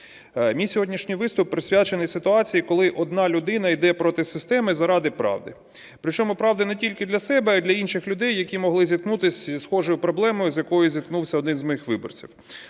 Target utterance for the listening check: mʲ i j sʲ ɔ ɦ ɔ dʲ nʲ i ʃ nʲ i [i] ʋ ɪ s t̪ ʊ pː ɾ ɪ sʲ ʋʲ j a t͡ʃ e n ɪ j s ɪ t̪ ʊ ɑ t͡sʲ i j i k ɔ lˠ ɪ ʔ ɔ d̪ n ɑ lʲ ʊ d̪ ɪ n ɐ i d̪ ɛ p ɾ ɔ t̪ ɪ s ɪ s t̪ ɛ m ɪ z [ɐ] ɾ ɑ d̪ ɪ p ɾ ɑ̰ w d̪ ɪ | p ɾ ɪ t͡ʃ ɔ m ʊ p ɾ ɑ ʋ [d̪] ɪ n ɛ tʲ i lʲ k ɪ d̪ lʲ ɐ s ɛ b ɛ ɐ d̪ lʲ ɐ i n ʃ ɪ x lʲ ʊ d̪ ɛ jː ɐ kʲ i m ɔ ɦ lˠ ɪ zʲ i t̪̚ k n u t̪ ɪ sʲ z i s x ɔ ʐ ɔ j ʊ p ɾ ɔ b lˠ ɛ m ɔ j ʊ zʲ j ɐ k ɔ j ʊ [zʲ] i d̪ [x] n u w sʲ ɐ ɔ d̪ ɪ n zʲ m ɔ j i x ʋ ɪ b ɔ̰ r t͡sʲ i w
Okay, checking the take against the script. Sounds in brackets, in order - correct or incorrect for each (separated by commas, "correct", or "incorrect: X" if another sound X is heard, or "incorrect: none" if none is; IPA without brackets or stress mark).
incorrect: j, correct, correct, correct, incorrect: k